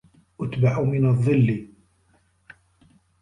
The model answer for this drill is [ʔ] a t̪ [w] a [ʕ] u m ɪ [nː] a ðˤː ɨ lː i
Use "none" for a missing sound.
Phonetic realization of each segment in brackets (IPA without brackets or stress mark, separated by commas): ʔ, b, ʕ, n